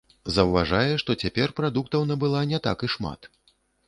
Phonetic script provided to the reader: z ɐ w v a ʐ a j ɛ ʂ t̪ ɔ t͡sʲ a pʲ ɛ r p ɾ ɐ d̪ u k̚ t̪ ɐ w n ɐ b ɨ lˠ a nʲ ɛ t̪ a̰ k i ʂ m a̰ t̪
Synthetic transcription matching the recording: z ɐ w v a ʐ a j ɛ ʂ t̪ ɔ t͡sʲ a pʲ ɛ r p ɾ a d̪ u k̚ t̪ ɐ w n ɐ b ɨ lˠ a nʲ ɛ t̪ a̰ k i ʂ m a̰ t̪